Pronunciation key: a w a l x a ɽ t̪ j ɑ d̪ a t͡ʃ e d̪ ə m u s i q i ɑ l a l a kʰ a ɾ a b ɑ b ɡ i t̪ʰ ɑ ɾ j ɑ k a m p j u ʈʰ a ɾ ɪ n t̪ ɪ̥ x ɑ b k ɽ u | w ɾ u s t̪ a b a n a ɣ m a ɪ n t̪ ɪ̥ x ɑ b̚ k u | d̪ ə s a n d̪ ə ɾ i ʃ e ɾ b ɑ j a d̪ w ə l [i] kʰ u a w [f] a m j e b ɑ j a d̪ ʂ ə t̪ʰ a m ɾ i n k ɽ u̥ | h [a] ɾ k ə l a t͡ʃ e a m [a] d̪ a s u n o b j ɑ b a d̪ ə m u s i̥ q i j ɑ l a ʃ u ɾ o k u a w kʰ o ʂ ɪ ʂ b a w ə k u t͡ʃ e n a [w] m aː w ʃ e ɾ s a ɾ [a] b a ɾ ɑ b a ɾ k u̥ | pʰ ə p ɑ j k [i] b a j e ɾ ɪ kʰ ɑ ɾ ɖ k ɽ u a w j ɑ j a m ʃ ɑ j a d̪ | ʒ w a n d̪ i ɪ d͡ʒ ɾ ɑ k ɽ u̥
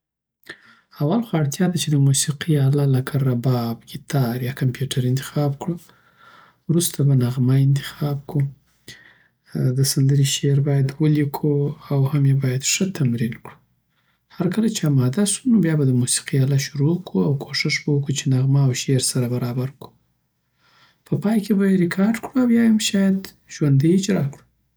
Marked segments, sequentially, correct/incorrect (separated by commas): correct, incorrect, correct, incorrect, incorrect, correct, incorrect